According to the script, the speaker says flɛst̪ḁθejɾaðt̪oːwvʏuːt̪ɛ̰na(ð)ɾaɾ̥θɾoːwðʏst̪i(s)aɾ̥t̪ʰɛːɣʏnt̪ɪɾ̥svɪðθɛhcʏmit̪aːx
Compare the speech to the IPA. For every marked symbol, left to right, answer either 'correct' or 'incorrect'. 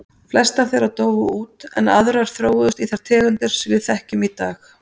correct, incorrect: θ

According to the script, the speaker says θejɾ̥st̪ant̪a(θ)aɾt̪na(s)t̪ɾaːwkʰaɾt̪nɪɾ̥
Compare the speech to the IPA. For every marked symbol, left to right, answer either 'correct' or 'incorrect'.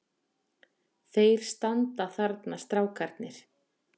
correct, correct

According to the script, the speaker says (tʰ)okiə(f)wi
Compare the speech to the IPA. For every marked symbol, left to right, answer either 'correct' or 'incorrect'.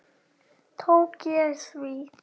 correct, incorrect: s

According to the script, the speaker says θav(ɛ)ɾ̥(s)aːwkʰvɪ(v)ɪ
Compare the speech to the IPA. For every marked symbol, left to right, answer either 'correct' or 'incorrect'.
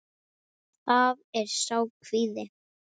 correct, correct, incorrect: ð

